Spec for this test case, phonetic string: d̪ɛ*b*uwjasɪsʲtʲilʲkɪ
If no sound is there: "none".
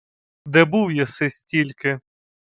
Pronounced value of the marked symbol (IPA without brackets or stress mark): b